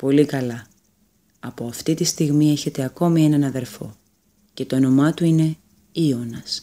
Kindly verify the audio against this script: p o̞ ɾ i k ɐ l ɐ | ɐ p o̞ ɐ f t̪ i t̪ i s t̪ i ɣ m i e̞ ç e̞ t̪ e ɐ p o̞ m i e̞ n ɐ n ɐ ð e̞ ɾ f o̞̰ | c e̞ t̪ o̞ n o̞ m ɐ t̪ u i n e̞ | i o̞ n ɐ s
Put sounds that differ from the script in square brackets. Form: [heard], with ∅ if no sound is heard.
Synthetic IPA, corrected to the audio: p o̞ [l] i k ɐ l ɐ | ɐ p o̞ ɐ f t̪ i t̪ i s t̪ i ɣ m i e̞ ç e̞ t̪ e ɐ [k] o̞ m i e̞ n ɐ n ɐ ð e̞ ɾ f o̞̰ | c e̞ t̪ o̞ n o̞ m ɐ t̪ u i n e̞ | i o̞ n ɐ s